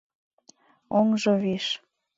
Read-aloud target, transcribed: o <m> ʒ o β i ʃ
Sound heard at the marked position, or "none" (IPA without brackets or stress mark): ŋ